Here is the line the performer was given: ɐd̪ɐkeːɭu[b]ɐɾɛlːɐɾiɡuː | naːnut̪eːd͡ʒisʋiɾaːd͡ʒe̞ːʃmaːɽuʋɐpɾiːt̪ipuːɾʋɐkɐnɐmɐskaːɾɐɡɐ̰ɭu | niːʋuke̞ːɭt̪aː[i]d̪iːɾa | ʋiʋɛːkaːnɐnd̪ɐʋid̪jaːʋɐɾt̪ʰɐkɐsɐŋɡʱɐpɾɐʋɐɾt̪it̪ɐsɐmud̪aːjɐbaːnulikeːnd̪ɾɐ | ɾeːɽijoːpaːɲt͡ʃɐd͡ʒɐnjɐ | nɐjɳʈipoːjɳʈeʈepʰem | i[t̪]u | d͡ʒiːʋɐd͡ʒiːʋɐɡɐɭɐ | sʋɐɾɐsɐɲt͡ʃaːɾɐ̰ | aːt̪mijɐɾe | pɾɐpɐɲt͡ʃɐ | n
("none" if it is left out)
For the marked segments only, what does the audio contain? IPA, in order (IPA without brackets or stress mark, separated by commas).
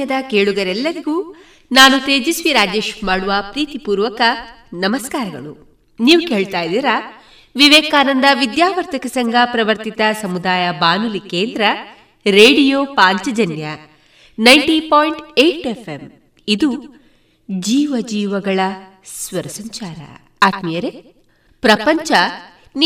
ɡ, j, d̪